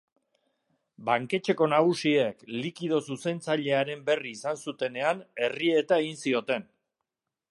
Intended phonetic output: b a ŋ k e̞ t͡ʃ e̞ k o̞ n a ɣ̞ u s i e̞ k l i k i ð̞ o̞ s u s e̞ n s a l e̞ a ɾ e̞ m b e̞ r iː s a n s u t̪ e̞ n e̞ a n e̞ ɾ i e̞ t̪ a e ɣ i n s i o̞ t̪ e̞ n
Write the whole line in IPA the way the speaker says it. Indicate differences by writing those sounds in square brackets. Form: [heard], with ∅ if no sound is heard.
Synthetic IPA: b a ŋ k e̞ t͡ʃ e̞ k o̞ n a ɣ̞ u s i e̞ k l i k i ð̞ o̞ s u s e̞ n [t͡s] a [ʎ] e̞ a ɾ e̞ m b e̞ r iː s a n s u t̪ e̞ n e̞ a n e̞ [r] i e̞ t̪ a e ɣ i n s i o̞ t̪ e̞ n